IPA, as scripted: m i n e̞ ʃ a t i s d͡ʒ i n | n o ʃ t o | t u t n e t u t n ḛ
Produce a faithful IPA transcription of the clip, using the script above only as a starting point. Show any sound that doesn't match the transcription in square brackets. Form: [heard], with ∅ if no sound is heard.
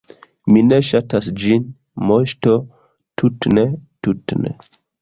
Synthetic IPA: m i n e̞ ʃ a t [a] s d͡ʒ i n | [m] o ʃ t o | t u t n e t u t n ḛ